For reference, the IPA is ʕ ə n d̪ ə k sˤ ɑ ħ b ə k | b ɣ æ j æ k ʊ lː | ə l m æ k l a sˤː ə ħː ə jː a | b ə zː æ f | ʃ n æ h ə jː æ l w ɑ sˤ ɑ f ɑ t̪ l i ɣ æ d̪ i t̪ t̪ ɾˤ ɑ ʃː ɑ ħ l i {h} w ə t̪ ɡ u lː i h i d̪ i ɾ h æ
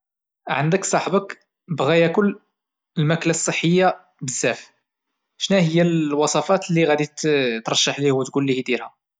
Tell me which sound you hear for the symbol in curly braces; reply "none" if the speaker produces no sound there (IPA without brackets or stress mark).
h